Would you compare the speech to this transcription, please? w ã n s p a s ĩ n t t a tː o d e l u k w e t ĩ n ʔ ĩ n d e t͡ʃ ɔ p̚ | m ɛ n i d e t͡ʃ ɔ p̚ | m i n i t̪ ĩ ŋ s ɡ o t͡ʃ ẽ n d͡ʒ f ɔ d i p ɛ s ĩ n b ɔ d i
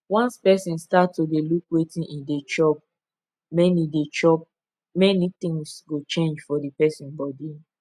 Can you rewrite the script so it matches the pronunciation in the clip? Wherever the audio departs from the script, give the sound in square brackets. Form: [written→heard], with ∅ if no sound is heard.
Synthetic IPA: w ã n s p [a→ɛ] s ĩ n [t→s] t a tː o d e l u k w e t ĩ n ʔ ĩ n d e t͡ʃ ɔ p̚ | m ɛ n i d e t͡ʃ ɔ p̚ | m [i→ɛ] n i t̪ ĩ ŋ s ɡ o t͡ʃ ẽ n d͡ʒ f ɔ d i p ɛ s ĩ n b ɔ d i